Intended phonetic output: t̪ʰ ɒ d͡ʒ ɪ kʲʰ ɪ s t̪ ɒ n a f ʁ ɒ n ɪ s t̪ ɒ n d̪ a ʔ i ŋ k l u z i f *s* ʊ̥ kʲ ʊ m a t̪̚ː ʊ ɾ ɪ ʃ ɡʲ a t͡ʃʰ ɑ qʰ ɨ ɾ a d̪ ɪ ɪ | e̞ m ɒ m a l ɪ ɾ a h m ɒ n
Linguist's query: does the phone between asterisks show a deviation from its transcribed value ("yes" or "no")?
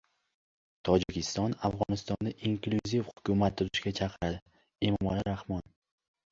yes